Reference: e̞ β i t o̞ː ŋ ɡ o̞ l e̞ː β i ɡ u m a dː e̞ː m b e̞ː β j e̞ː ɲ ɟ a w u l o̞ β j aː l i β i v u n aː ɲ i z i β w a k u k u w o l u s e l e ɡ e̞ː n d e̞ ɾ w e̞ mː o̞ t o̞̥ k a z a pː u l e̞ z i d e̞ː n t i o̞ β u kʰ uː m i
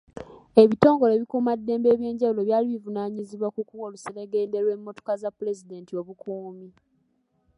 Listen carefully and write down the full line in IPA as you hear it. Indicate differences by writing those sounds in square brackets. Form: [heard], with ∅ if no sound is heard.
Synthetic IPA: e̞ β i t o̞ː ŋ ɡ o̞ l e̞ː β i [k] u m a dː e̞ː m b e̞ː β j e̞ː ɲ ɟ a w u l o̞ β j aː l i β i v u n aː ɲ i z i β w a k u k u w o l u s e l e ɡ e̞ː n d e̞ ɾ w e̞ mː o̞ t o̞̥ k a z a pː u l e̞ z i d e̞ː n t i o̞ β u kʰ uː m i